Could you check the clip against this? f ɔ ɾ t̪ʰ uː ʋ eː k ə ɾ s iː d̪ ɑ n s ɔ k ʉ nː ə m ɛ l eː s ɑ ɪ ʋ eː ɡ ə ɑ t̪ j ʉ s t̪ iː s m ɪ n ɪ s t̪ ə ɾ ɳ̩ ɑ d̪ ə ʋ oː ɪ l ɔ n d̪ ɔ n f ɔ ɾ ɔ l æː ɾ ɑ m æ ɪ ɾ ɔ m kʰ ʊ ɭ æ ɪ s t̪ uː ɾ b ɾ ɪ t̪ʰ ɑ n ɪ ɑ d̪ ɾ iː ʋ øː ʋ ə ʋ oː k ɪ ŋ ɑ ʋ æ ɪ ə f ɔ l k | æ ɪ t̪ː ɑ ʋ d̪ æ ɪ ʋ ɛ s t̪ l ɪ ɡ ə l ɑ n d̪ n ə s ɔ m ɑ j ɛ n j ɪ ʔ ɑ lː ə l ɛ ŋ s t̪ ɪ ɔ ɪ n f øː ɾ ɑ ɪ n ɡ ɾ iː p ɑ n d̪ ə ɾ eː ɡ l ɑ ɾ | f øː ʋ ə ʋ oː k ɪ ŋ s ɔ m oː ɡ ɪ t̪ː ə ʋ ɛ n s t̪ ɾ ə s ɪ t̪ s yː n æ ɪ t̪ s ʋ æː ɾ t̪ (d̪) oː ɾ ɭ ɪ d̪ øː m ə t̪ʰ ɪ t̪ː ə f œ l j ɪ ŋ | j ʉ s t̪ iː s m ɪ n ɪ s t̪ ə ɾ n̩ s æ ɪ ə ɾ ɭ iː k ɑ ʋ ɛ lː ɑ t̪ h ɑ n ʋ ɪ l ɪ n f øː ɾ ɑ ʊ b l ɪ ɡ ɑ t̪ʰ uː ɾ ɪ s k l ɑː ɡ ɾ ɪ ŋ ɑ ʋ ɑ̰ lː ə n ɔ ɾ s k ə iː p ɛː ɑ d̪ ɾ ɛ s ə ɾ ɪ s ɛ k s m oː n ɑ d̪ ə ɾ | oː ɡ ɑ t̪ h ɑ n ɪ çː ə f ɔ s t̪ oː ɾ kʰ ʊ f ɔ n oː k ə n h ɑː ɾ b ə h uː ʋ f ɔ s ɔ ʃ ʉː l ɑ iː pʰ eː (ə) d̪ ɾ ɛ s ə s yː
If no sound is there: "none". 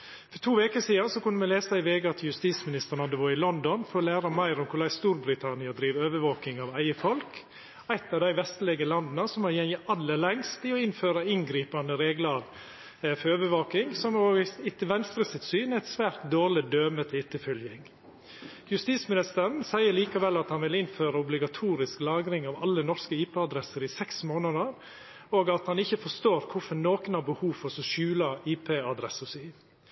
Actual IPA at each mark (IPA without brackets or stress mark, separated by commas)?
d̪, ɑ